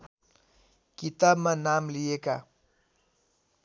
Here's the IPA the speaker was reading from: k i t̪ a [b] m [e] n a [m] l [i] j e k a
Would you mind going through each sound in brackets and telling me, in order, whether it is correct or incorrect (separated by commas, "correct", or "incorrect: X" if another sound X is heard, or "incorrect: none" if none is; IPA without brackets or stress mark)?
correct, incorrect: a, correct, correct